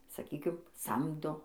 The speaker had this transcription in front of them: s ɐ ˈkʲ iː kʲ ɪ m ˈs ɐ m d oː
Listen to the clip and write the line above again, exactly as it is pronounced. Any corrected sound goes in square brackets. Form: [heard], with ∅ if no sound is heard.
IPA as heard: s ɐ ˈkʲ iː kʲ ɪ m ˈs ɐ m d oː